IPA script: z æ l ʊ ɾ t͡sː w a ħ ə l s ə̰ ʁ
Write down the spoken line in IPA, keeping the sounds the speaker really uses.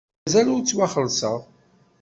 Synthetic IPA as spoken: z æ l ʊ ɾ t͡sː w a χ ə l s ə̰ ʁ